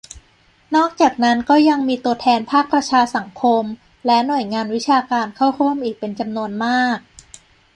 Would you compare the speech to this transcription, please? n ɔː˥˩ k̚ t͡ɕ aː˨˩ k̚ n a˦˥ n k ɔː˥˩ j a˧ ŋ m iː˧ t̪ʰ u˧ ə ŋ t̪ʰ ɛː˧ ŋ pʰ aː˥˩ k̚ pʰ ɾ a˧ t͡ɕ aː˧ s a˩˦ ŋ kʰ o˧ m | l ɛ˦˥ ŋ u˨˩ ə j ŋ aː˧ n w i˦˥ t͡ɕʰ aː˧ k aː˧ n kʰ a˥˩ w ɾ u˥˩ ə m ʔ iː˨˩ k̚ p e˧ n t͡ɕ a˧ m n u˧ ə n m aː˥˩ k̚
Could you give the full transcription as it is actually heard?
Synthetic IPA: n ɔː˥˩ k̚ t͡ɕ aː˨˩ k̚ n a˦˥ n k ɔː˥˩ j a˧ ŋ m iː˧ t̪ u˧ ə t̪ʰ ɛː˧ n pʰ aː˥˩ k̚ p ɾ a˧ t͡ɕʰ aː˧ s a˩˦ ŋ kʰ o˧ m | l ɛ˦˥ n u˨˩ ə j ŋ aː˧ n w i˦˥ t͡ɕʰ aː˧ k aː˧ n kʰ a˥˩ w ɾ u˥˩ ə m ʔ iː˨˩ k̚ p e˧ n t͡ɕ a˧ m n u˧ ə n m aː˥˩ k̚

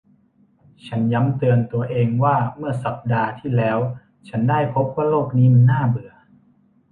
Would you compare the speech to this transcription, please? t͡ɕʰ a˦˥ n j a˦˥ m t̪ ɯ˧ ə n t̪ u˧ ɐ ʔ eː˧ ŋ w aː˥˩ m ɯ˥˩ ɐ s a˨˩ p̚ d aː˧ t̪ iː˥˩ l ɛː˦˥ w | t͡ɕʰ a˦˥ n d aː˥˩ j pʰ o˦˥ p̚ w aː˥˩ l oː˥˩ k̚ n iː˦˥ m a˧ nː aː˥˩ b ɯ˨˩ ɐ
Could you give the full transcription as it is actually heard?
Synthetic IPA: t͡ɕʰ a˦˥ n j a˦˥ m t̪ ɯ˧ ə n t̪ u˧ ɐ ʔ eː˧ ŋ w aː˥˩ m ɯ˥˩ ɐ s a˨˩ p̚ d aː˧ t̪ʰ iː˥˩ l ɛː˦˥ w | t͡ɕʰ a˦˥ n d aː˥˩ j pʰ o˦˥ p̚ w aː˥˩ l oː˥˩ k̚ n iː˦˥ m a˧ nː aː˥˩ b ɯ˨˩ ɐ

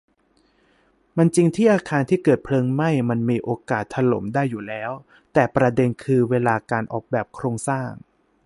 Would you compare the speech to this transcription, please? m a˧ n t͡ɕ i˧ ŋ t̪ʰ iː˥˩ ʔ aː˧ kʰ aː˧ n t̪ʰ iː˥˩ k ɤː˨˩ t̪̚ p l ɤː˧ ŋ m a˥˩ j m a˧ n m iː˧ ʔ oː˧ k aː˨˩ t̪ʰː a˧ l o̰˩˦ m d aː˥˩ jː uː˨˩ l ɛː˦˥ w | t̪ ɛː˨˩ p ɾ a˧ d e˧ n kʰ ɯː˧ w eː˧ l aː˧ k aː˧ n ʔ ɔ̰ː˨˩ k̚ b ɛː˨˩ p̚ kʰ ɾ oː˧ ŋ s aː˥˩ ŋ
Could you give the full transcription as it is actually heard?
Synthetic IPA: m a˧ n t͡ɕ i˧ ŋ t̪ʰ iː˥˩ ʔ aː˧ kʰ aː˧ n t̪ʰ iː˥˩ k ɤː˨˩ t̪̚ pʰ l ɤː˧ ŋ m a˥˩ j m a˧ n m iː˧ ʔ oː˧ k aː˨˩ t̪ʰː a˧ l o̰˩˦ m d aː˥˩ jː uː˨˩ l ɛː˦˥ w | t̪ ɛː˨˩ p ɾ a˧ d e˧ n kʰ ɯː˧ w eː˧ l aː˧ k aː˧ n ʔ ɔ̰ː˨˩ k̚ b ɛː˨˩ p̚ kʰ ɾ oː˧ ŋ s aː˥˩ ŋ

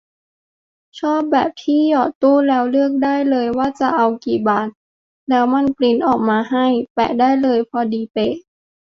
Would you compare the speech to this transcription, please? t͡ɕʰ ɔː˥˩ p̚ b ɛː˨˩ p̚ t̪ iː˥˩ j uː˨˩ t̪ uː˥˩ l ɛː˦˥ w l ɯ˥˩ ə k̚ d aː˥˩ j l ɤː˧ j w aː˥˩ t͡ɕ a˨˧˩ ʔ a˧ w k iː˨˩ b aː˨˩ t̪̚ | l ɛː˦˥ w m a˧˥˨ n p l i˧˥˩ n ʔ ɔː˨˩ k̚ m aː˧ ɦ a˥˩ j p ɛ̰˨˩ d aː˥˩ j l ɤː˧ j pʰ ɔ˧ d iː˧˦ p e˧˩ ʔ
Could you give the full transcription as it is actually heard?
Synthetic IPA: t͡ɕʰ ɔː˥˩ p̚ b ɛː˨˩ p̚ t̪ʰ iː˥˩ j ɔː˨˩ t̪ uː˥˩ l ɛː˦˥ w l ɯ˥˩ ə k̚ d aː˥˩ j l ɤː˧ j w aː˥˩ t͡ɕ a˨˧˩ ʔ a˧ w k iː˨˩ b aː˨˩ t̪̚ | l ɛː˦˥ w m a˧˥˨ n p l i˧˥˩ n ʔ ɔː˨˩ k̚ m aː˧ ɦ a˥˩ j p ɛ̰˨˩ d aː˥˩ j l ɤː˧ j pʰ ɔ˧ d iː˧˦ p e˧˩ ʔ

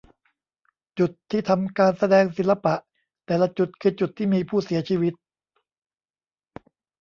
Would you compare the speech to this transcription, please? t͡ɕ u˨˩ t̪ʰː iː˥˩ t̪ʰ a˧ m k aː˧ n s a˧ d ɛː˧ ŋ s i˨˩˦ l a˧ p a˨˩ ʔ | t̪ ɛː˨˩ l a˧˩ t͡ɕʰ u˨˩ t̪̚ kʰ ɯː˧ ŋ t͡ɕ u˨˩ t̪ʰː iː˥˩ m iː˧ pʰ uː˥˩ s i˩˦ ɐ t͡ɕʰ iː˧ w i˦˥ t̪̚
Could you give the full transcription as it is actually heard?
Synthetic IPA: t͡ɕ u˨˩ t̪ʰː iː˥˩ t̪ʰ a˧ m k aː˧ n s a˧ d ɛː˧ ŋ s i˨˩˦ l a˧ p a˨˩ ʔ | t̪ ɛː˨˩ l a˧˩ t͡ɕ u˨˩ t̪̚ kʰ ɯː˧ t͡ɕ u˨˩ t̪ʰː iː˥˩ m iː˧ pʰ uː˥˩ s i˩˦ ɐ t͡ɕʰ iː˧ w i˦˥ t̪̚

